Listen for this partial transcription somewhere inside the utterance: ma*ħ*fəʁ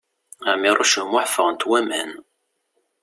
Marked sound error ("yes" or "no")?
no